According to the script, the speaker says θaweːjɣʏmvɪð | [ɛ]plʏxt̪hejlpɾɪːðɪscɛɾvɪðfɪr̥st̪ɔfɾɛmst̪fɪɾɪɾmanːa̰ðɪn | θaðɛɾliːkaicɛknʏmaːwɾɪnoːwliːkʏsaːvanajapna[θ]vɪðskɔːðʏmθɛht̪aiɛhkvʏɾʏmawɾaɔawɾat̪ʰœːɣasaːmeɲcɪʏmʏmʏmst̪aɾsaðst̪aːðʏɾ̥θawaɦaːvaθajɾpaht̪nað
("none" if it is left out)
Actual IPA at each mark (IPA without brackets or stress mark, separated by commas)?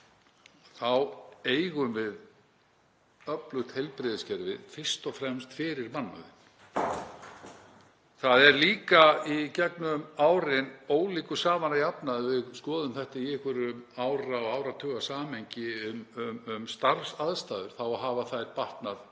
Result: œ, ð